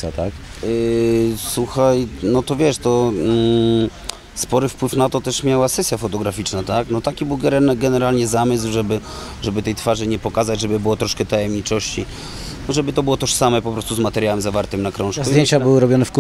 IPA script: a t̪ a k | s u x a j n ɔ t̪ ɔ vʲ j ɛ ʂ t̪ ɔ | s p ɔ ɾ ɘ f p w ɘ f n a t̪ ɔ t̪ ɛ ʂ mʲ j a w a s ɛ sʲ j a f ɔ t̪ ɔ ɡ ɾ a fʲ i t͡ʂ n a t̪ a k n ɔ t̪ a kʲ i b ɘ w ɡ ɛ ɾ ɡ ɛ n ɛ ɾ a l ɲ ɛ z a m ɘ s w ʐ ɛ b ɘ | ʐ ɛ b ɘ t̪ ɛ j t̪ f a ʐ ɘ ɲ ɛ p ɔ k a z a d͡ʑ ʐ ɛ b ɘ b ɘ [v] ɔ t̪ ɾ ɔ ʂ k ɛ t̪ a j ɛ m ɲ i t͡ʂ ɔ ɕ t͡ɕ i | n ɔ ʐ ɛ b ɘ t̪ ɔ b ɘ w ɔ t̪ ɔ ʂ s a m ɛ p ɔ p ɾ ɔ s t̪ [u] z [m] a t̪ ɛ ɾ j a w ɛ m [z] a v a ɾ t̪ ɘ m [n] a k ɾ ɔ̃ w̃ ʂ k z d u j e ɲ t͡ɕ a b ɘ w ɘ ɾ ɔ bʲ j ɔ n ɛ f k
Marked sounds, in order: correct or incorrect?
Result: incorrect, correct, correct, correct, correct

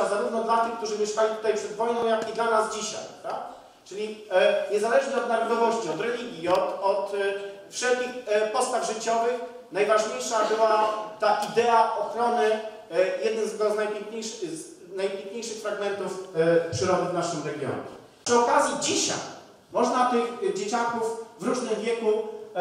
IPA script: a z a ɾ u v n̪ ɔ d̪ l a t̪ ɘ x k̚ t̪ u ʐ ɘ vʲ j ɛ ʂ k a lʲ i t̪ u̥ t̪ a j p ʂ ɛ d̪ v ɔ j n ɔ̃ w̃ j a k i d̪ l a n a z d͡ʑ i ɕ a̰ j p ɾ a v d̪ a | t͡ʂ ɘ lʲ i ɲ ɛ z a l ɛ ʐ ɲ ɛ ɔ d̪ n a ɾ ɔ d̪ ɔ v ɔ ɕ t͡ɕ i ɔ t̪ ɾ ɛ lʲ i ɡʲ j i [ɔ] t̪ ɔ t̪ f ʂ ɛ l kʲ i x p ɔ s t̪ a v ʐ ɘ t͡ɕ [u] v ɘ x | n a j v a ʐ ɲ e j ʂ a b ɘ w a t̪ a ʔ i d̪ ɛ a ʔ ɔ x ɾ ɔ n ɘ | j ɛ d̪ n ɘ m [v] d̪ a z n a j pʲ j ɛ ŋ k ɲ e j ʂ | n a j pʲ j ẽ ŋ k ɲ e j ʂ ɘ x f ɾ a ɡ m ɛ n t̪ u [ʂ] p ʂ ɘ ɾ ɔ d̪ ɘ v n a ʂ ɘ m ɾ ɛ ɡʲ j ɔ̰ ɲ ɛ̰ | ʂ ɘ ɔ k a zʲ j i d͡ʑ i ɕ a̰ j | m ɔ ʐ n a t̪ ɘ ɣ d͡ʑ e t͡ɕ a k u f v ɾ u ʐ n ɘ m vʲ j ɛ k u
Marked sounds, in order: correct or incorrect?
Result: correct, incorrect, incorrect, incorrect

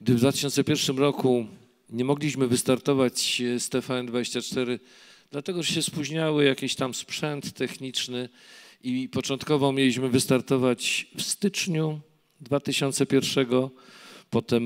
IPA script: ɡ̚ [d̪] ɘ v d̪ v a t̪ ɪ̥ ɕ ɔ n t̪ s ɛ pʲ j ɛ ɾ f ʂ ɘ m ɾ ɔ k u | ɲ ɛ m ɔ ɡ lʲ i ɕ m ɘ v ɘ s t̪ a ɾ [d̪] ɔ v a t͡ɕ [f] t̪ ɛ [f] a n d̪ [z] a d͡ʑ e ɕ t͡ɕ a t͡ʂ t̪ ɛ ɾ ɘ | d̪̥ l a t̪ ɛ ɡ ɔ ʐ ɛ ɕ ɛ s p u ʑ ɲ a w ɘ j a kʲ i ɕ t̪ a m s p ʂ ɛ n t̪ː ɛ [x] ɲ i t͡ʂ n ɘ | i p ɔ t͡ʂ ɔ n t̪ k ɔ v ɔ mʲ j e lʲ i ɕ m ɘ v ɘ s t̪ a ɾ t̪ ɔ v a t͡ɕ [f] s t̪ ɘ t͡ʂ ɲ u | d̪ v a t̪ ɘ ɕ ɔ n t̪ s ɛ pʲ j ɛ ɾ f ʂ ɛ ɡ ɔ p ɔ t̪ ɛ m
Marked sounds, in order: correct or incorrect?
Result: correct, incorrect, incorrect, correct, incorrect, correct, correct

